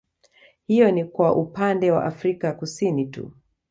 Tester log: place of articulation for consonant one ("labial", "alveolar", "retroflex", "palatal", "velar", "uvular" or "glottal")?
glottal